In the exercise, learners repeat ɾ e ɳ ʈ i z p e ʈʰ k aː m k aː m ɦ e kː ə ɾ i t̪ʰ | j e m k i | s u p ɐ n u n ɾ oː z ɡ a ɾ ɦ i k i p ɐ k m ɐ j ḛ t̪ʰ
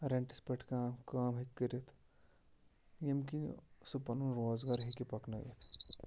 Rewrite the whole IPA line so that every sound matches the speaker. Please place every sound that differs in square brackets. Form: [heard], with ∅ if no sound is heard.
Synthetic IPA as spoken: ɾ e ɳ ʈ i [s] p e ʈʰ k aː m k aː m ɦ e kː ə ɾ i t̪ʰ | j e m k i | s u p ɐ n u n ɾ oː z ɡ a ɾ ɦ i k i p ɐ k [n] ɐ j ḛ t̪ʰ